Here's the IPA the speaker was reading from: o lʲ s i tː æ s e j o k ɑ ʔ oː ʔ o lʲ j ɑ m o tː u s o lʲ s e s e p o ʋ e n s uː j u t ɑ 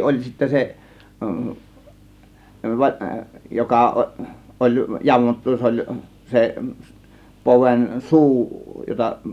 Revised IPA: o lʲ s i tː æ s e j o k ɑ ʔ o ʔ o lʲ j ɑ m o tː u s o lʲ s e s e p o ʋ e n s uː j o t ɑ